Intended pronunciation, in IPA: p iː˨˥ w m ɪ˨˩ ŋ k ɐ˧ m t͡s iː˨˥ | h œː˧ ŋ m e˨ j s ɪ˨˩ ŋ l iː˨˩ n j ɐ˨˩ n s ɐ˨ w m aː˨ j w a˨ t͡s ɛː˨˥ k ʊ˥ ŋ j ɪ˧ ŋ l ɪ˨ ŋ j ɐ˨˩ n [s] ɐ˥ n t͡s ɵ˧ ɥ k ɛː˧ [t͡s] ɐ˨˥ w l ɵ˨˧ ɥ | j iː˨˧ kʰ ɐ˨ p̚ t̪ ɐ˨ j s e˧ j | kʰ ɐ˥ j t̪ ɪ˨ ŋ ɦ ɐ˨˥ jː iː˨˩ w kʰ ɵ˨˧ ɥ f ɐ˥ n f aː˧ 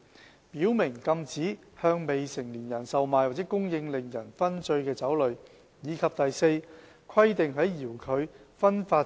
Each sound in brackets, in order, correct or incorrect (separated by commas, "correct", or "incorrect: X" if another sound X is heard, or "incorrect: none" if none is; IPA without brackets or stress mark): incorrect: f, correct